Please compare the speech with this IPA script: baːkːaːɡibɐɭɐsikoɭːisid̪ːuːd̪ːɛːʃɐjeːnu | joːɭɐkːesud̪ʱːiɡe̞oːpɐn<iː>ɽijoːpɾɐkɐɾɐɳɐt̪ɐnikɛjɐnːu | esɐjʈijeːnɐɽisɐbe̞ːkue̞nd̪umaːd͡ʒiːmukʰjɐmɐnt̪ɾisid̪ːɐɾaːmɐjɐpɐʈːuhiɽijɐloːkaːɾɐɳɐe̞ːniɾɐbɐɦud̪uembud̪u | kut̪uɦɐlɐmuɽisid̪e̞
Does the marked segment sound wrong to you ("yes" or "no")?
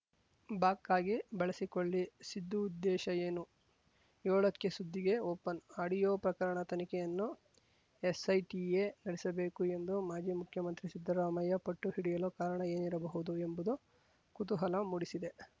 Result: yes